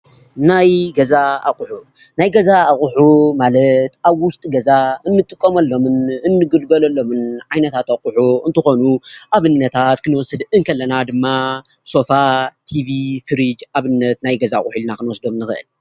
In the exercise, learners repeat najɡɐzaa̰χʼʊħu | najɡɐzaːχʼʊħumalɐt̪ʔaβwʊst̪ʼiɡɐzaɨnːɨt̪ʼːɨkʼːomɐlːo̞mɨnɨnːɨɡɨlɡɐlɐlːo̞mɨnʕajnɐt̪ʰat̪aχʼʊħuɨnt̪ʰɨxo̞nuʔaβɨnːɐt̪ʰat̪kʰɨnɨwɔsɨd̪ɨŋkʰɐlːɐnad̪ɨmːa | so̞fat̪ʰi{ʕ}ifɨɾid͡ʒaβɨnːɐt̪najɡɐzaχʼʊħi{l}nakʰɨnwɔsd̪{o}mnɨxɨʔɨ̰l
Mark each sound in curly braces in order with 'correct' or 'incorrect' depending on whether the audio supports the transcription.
incorrect: v, correct, correct

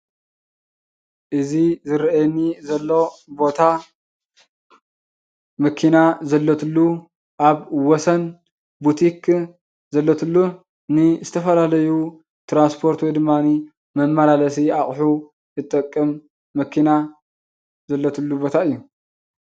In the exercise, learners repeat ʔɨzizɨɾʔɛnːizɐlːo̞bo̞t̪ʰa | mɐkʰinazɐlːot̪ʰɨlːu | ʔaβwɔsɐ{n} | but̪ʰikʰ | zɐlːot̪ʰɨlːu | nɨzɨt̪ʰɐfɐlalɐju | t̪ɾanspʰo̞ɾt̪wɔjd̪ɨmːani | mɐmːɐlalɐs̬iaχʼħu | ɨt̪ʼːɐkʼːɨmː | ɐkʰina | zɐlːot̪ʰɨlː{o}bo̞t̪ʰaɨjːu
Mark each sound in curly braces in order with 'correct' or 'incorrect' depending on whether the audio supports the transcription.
correct, incorrect: u

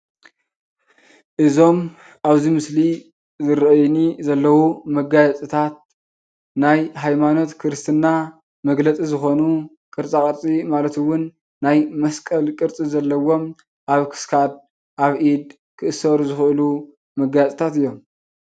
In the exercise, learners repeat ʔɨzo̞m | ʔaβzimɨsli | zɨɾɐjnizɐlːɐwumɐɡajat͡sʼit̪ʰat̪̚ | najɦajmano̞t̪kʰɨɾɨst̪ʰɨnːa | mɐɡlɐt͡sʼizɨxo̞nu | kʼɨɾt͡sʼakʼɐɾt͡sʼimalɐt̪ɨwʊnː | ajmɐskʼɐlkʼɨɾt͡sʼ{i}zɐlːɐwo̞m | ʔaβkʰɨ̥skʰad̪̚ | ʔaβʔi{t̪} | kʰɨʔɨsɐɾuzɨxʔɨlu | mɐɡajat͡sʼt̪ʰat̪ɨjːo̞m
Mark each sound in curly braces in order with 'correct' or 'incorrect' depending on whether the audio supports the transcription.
correct, incorrect: d̪

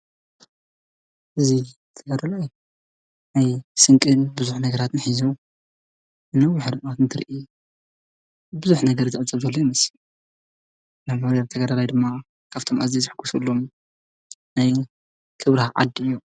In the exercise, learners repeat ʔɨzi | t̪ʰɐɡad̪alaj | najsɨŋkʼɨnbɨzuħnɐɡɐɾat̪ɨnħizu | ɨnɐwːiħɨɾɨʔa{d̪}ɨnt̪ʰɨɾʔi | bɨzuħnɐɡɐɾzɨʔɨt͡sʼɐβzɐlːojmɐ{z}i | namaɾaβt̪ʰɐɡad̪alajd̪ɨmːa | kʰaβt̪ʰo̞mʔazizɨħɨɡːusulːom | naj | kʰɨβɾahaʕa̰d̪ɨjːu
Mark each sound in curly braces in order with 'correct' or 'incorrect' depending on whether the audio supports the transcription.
incorrect: t̪, incorrect: s

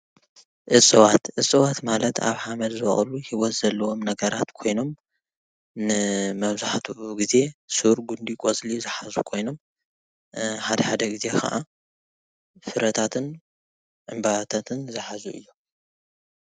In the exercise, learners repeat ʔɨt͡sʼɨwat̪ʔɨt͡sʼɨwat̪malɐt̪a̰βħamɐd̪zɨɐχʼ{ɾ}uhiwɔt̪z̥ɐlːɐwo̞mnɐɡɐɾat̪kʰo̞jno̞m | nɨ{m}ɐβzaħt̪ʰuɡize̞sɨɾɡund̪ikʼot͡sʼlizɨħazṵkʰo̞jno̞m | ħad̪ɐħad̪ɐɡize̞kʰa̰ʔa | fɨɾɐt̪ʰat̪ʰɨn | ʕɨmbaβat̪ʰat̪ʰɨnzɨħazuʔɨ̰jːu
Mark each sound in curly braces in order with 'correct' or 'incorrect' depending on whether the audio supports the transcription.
incorrect: l, correct

